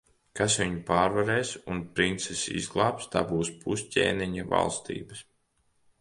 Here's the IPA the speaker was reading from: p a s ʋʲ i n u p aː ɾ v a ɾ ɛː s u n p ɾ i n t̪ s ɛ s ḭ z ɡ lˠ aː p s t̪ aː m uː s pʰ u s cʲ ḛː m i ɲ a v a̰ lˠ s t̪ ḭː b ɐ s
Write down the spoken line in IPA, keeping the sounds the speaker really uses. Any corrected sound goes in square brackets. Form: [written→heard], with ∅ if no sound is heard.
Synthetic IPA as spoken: [p→k] a s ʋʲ i [n→ɲ] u p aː ɾ v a ɾ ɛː s u n p ɾ i n t̪ s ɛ s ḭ z ɡ lˠ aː p s t̪ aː [m→b] uː s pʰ u s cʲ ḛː [m→n] i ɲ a v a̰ lˠ s t̪ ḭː b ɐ s